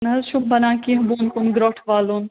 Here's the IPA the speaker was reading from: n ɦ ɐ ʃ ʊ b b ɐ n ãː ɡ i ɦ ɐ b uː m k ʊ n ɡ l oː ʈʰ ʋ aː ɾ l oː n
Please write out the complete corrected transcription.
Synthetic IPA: n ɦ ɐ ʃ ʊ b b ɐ n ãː k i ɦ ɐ b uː n k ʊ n ɡ ɾ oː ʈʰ ʋ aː l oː n

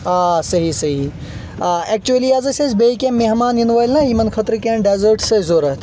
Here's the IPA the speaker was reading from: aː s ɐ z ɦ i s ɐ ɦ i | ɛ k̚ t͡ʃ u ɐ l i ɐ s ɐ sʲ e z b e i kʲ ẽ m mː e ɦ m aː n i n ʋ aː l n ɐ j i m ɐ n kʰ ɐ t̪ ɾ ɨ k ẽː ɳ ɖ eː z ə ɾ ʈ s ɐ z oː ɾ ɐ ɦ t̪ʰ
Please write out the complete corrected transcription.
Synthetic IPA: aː s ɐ ɦ i s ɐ ɦ i | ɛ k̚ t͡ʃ u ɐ l i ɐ z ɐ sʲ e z b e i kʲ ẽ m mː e ɦ m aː n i n ʋ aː l n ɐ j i m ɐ n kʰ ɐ t̪ ɾ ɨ k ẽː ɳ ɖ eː z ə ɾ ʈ s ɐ z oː ɾ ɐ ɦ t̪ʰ

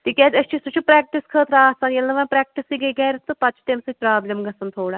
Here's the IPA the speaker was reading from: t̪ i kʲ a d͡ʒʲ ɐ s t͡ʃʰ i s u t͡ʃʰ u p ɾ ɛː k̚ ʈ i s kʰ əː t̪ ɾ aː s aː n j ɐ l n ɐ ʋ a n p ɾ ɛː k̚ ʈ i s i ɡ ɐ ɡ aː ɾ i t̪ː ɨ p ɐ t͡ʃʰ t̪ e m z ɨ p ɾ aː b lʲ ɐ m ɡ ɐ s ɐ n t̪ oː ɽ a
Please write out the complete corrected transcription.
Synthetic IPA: t̪ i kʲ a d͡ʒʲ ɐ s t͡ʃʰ i s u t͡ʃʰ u p ɾ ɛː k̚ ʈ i s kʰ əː t̪ ɾ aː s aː n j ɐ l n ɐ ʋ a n p ɾ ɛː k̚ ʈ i s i ɡ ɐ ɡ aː ɾ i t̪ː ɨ p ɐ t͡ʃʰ t̪ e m s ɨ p ɾ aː b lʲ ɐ m ɡ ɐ s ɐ n t̪ʰ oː ɽ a

